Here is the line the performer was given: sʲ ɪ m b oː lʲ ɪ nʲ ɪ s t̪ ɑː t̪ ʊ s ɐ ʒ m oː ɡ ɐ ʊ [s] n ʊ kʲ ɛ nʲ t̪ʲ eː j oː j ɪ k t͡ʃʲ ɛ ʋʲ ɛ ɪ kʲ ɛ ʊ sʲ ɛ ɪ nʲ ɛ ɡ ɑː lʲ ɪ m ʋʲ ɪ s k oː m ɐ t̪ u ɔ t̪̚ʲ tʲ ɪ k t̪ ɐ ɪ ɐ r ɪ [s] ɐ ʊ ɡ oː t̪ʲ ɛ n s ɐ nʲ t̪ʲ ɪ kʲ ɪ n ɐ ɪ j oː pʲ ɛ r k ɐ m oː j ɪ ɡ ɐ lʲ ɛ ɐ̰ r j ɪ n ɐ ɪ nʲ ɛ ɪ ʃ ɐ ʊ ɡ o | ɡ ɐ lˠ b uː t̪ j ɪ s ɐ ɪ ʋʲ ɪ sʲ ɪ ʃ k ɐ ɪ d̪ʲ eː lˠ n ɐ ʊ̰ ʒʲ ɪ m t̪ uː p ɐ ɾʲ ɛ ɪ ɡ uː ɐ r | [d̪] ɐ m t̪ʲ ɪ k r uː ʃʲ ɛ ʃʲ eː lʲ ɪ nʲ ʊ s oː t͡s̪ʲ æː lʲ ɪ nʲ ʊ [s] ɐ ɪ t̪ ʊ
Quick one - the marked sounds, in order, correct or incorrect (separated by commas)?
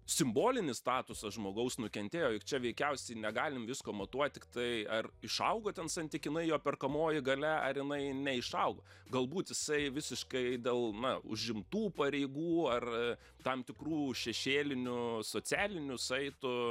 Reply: correct, incorrect, incorrect, correct